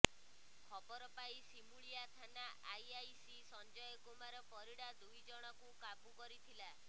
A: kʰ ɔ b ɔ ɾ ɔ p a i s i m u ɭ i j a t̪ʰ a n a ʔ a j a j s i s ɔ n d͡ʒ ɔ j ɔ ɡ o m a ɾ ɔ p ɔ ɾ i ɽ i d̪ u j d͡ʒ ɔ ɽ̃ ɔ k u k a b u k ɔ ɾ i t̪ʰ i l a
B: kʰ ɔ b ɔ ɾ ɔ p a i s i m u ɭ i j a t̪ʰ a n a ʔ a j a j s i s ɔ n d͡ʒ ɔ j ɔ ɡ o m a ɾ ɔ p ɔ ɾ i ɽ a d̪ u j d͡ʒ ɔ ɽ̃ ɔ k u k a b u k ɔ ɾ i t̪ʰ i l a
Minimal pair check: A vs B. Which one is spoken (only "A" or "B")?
B